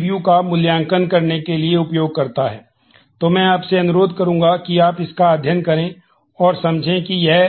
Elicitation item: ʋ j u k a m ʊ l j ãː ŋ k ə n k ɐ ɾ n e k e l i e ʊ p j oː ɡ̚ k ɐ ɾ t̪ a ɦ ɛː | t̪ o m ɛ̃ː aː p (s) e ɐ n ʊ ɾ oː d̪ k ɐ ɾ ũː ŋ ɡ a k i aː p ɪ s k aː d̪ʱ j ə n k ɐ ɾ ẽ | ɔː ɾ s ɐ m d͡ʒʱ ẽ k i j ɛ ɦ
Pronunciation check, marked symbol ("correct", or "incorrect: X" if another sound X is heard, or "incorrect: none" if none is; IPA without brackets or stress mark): correct